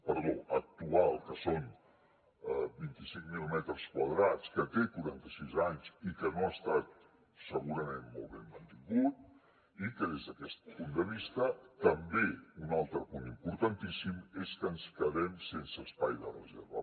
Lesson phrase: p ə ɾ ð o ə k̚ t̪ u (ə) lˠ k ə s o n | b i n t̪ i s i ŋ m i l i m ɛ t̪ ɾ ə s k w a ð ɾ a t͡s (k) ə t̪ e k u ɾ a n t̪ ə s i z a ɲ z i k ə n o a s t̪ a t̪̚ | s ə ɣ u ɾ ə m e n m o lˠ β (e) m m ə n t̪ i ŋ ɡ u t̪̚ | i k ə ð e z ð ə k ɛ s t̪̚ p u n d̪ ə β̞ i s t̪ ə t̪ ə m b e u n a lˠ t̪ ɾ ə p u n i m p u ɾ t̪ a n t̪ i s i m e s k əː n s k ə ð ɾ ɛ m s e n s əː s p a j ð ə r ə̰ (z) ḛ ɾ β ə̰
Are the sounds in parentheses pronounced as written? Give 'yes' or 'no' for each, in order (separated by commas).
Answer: no, yes, yes, yes